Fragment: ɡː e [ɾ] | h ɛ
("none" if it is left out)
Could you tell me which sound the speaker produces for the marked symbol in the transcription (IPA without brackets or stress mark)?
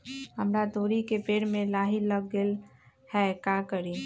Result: l